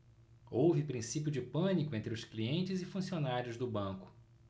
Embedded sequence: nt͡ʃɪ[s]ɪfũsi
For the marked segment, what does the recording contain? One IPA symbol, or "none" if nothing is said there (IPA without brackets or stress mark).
z